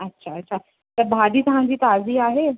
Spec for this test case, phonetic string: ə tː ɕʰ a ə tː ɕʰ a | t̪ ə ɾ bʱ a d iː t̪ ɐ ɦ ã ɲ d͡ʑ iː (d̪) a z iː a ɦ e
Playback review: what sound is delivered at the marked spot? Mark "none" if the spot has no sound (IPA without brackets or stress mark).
t̪